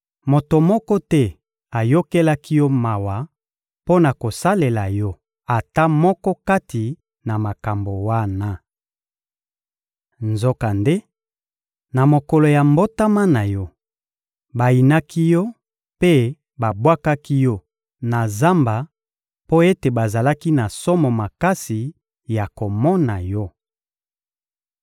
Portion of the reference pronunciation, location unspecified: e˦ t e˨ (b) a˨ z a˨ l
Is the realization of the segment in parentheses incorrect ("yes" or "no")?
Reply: no